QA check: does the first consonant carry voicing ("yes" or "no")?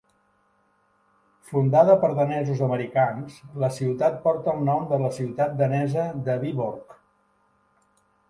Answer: no